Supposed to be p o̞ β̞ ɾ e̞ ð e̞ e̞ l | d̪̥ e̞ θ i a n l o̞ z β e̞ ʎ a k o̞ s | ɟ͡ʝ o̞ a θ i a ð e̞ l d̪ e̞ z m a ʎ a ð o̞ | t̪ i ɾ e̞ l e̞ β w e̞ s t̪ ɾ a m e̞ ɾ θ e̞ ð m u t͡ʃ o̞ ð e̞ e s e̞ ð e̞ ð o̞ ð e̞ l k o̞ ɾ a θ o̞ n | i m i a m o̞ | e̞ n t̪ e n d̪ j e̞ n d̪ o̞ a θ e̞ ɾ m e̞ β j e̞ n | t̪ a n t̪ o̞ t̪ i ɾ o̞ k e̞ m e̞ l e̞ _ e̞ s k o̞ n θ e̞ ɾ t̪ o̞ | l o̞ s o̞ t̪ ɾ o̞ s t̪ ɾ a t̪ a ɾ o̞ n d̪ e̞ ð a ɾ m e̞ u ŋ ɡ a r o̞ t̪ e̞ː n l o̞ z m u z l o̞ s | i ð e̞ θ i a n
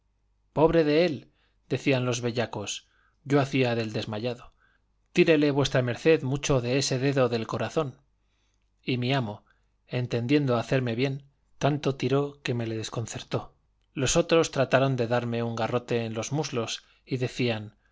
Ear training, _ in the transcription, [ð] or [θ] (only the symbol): ð